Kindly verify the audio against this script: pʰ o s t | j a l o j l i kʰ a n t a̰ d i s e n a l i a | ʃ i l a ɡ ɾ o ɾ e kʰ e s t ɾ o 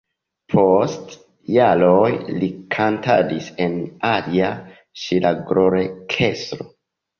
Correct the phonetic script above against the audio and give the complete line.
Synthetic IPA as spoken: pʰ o s t | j a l o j l i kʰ a n t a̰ d i s e n a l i a | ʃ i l a ɡ ɾ o ɾ e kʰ e s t ɾ o